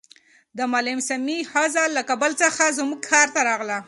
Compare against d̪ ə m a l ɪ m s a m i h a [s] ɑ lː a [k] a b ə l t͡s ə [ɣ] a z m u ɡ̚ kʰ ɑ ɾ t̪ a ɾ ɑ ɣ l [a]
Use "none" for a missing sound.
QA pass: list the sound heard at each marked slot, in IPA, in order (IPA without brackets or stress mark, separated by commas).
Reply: z, k, x, a